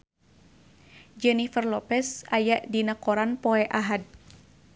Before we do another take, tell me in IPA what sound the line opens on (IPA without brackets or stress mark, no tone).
d͡ʒ